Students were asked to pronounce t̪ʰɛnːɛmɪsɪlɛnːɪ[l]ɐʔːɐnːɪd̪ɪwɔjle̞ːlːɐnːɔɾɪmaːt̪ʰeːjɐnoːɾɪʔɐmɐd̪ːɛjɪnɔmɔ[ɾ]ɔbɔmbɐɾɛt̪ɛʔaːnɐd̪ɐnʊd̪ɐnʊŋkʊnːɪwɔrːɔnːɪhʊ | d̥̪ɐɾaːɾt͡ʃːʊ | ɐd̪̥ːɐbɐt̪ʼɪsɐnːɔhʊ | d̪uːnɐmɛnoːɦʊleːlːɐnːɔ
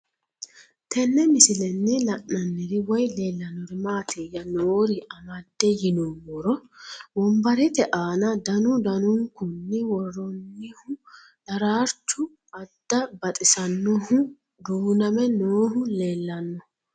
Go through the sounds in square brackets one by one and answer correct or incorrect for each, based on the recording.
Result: correct, correct

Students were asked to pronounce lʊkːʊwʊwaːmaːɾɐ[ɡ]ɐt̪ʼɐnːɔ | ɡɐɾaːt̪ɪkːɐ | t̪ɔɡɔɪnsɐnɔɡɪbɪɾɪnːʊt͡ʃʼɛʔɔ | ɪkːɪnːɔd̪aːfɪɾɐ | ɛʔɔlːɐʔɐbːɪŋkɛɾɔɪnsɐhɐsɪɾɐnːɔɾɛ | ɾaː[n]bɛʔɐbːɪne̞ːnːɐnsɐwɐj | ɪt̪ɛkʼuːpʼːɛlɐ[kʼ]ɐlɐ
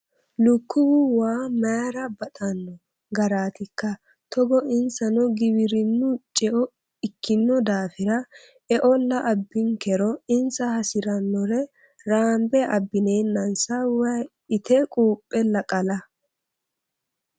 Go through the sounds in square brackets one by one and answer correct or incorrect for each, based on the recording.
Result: incorrect: b, incorrect: m, correct

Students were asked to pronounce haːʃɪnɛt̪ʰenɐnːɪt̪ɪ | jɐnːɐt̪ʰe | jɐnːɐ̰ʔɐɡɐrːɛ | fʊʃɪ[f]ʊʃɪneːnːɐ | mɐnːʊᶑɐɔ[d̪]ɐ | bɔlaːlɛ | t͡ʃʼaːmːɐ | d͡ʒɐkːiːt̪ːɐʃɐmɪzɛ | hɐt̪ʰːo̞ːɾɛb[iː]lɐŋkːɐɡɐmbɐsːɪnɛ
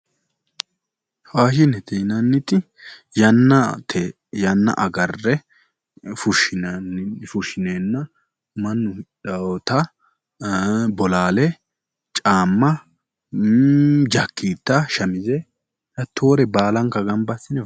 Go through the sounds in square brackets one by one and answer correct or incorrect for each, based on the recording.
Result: correct, incorrect: t̪, incorrect: aː

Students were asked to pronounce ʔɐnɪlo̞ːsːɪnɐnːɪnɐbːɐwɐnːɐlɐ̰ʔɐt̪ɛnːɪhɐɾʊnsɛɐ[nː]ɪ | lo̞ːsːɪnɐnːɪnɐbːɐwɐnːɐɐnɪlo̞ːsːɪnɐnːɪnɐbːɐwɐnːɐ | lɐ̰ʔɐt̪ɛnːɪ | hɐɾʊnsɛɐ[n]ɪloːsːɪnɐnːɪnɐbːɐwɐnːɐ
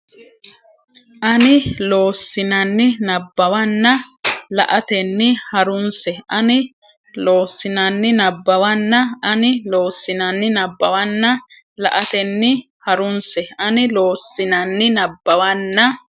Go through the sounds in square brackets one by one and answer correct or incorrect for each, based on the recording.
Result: incorrect: n, correct

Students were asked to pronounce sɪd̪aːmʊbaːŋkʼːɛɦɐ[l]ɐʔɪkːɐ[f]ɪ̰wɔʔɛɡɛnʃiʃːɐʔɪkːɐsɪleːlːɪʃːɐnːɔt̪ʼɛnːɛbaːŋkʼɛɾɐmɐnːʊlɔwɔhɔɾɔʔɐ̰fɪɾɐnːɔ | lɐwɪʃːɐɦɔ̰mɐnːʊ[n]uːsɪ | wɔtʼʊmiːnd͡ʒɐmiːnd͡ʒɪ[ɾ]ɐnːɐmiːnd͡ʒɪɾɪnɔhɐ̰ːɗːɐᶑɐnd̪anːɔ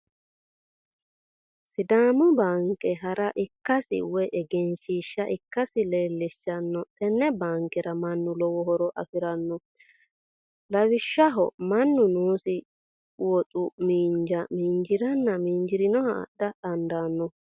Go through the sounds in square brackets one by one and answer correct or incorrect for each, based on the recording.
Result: incorrect: ɾ, incorrect: s, correct, correct

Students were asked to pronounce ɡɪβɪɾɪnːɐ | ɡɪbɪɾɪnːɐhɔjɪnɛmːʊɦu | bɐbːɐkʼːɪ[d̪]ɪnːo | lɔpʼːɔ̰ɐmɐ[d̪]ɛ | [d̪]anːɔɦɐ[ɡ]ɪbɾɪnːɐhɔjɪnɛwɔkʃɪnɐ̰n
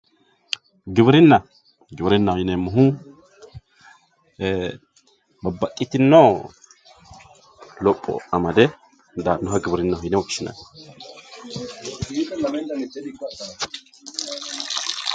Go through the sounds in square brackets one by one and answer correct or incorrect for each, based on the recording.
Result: incorrect: t̪, correct, correct, correct

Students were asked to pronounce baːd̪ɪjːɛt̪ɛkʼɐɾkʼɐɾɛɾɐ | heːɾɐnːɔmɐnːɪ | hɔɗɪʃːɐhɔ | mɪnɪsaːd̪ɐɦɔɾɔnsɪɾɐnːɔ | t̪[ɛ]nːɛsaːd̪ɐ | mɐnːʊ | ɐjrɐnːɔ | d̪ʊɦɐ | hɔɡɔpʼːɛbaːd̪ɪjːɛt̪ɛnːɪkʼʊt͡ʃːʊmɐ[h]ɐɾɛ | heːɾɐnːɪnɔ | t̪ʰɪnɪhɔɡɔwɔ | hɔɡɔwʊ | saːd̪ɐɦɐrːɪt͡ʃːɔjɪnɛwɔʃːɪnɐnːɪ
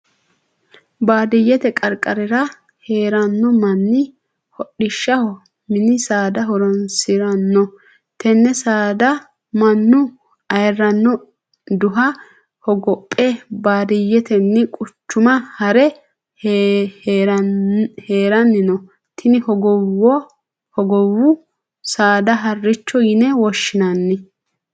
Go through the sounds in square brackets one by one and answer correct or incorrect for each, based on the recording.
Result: correct, correct

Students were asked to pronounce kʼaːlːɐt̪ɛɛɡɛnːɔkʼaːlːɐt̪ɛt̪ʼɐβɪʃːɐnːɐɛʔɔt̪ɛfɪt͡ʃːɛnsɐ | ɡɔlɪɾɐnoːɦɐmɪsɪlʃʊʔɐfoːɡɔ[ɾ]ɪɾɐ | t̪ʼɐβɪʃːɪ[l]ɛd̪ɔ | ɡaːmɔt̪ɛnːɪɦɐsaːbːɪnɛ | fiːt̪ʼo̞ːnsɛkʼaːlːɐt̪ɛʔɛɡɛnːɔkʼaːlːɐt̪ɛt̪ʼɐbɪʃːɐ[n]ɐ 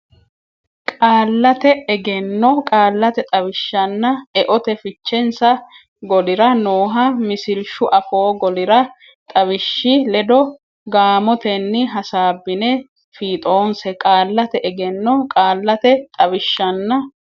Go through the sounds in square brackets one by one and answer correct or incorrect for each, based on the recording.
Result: incorrect: l, correct, incorrect: nː

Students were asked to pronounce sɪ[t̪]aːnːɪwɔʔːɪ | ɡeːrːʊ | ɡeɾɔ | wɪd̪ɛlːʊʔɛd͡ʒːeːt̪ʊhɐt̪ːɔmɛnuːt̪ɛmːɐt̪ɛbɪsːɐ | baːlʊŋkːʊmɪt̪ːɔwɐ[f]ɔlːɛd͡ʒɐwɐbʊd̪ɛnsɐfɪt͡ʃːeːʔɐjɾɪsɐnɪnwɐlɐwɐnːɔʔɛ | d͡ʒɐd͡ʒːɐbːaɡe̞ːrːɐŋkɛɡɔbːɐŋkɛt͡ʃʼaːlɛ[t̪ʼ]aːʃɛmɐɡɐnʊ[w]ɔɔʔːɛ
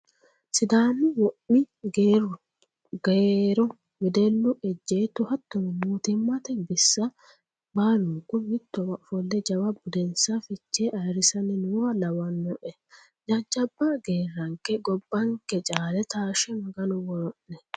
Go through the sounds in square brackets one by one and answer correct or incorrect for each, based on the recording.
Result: incorrect: d̪, correct, incorrect: t̪, correct

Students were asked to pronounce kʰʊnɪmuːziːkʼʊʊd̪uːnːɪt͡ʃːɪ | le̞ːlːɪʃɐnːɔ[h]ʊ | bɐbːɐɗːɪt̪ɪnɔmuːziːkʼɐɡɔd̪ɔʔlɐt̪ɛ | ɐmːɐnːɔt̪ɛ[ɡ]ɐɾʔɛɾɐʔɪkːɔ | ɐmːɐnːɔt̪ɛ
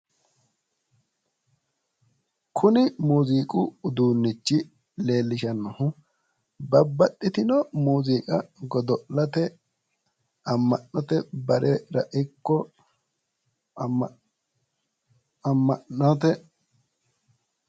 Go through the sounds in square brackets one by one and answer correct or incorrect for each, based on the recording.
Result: correct, incorrect: b

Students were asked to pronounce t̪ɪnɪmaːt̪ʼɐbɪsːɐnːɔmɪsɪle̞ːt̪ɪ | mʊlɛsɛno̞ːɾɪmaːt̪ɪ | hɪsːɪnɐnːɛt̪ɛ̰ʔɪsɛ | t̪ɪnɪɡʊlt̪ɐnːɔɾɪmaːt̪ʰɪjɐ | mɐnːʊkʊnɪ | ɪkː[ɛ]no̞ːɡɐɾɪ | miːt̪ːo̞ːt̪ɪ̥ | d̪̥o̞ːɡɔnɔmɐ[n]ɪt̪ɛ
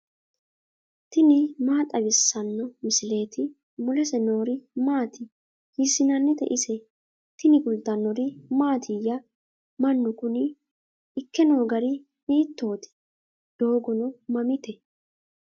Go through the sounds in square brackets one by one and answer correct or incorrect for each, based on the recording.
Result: correct, incorrect: m

